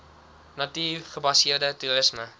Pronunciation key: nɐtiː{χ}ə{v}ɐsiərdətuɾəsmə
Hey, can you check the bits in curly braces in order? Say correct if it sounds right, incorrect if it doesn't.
correct, incorrect: b

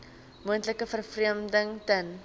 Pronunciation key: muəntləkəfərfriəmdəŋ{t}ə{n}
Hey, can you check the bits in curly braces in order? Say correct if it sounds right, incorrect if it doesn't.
correct, correct

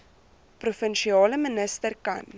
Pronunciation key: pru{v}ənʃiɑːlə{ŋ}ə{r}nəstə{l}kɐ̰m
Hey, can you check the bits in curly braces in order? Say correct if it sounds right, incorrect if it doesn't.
incorrect: f, incorrect: m, incorrect: none, incorrect: r

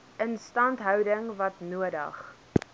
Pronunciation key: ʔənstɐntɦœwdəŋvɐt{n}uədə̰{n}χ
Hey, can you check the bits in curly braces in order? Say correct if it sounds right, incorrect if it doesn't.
correct, incorrect: none

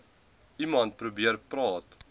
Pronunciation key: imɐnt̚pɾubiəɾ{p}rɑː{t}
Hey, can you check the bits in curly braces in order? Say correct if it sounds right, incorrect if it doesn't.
correct, correct

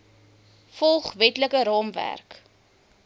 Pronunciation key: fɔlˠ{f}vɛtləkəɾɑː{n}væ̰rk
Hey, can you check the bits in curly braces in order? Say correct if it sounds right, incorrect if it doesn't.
incorrect: χ, incorrect: m

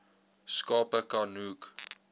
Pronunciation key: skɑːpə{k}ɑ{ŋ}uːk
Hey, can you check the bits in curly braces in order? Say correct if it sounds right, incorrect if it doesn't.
correct, incorrect: n

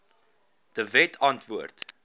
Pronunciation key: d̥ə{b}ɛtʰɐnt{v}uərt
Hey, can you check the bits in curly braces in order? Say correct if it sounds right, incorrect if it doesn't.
incorrect: v, correct

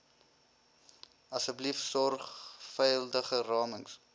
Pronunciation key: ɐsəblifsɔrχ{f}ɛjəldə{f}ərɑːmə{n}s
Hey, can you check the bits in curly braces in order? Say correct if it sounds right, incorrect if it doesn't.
correct, incorrect: χ, incorrect: ŋ

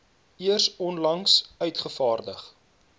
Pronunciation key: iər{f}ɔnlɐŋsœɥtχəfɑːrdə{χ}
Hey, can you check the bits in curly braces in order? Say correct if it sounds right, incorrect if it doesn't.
incorrect: s, correct

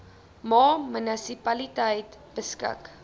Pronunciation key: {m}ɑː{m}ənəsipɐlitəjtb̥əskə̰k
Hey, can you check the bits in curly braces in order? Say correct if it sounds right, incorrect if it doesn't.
correct, correct

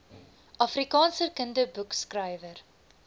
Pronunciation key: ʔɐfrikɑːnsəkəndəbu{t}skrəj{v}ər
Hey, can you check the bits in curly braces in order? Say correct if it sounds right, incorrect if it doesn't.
incorrect: k, correct

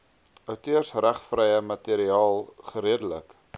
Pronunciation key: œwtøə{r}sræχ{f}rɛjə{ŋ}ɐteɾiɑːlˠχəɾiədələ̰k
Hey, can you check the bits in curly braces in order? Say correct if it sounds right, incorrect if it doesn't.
correct, correct, incorrect: m

